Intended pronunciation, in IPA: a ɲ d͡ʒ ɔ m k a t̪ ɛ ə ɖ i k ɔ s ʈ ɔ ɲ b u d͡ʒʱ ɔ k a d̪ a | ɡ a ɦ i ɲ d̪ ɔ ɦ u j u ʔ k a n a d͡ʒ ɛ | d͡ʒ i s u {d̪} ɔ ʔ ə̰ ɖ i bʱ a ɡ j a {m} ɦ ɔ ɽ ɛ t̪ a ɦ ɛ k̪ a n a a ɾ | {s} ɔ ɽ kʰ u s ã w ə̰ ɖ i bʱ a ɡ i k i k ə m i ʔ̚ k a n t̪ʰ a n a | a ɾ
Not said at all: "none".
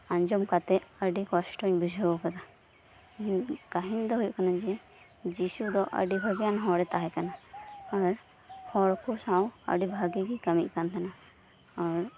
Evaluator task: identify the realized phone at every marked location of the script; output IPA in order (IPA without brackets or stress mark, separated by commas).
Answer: d̪, n, h